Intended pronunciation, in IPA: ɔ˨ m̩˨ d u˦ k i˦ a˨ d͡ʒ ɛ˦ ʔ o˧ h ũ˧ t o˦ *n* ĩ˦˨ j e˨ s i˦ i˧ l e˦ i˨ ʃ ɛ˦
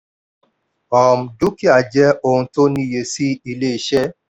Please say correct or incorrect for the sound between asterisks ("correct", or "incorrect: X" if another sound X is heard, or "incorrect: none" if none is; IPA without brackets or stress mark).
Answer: correct